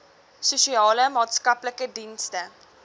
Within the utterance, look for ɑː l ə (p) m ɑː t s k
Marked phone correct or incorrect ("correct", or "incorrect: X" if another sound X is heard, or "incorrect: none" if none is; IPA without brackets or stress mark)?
incorrect: none